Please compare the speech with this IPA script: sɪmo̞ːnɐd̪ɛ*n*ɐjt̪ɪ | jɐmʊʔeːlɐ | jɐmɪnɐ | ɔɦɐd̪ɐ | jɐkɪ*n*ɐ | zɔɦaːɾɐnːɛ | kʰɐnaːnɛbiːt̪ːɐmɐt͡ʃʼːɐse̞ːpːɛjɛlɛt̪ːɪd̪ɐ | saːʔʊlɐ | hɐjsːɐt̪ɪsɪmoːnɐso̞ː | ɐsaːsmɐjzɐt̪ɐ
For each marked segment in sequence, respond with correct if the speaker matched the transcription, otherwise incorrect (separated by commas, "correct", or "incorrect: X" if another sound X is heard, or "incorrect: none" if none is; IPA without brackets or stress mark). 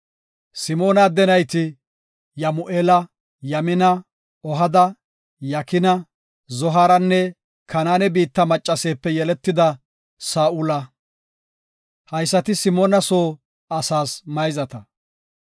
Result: correct, correct